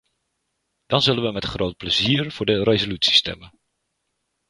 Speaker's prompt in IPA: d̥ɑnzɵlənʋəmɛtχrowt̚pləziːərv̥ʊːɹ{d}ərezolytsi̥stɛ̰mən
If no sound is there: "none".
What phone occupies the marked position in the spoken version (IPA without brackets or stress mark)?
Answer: d